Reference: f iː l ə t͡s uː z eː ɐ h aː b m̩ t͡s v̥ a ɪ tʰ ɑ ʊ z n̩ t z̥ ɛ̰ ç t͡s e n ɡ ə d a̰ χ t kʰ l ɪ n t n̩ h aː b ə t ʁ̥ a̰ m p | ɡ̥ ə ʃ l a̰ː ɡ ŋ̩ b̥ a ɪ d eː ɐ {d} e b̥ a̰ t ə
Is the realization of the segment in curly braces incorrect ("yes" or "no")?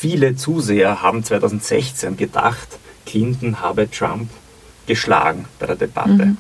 no